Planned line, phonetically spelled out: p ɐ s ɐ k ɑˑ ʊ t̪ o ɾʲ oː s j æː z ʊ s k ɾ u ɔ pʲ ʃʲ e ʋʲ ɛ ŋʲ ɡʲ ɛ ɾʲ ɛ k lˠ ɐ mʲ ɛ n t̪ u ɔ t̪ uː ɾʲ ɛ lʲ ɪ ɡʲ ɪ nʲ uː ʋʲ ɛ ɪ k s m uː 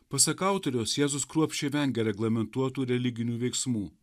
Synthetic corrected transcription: p ɐ s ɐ k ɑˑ ʊ t̪ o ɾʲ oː s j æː z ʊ s k ɾ u ɔ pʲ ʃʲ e ʋʲ ɛ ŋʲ ɡʲ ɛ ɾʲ ɛ ɡ lˠ ɐ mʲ ɛ n t̪ u ɔ t̪ uː ɾʲ ɛ lʲ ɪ ɡʲ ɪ nʲ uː ʋʲ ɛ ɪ k s m uː